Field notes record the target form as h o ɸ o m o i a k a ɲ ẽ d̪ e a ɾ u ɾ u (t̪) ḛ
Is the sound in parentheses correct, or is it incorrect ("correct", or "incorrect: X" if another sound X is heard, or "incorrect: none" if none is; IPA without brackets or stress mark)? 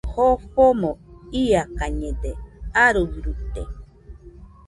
correct